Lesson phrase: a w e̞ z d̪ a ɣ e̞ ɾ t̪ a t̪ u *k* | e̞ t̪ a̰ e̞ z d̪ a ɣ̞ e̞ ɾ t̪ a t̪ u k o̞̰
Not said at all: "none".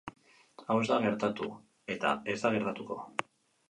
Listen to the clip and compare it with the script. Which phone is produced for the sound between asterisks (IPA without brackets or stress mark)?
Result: none